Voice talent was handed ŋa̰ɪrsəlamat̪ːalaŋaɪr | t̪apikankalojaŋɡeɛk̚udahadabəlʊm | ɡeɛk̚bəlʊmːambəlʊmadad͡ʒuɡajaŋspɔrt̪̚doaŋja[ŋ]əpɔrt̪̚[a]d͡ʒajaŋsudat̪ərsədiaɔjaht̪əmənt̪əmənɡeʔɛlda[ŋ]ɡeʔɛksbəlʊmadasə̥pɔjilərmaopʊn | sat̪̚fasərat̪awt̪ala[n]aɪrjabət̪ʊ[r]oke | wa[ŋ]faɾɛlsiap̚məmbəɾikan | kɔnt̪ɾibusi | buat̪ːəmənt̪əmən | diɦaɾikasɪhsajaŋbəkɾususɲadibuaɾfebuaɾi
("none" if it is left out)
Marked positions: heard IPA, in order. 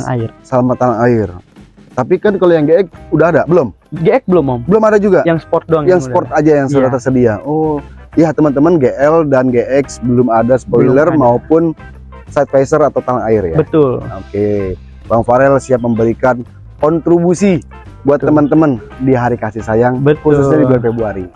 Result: ŋ, a, n, ŋ, l, ŋ

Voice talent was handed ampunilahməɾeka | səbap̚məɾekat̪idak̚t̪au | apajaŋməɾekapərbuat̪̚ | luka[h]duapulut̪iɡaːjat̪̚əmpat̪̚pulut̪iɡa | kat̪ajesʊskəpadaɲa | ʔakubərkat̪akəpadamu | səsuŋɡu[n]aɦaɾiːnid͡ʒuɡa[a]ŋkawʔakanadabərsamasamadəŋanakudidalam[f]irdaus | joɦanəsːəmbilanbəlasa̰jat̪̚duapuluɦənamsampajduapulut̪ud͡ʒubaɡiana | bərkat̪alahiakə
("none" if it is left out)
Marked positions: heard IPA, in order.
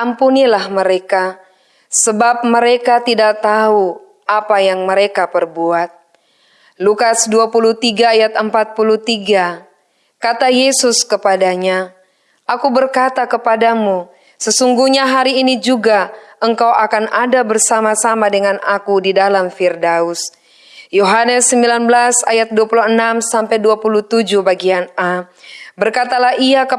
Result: s, ɲ, ə, f

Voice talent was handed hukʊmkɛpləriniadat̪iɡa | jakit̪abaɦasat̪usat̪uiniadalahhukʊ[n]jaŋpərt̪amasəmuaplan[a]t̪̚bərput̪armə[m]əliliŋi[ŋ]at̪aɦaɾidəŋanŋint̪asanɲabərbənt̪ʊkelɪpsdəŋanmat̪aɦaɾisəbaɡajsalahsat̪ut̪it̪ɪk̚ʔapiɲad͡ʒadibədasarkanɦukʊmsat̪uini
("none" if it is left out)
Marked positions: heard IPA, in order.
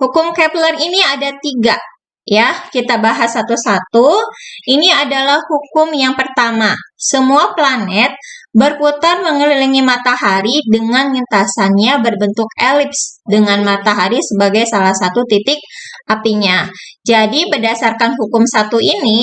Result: m, ɛ, ŋ, m

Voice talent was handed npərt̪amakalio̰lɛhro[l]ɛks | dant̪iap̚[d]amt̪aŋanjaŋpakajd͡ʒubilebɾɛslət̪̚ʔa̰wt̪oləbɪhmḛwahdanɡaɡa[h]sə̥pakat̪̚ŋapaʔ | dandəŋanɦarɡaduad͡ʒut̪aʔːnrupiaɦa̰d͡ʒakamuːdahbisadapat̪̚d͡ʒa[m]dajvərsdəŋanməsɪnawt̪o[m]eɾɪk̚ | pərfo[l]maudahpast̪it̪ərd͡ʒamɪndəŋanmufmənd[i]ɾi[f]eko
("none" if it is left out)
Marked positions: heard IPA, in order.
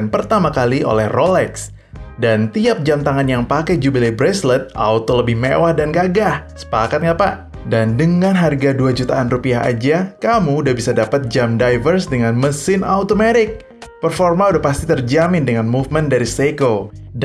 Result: l, d͡ʒ, h, m, m, r, a, s

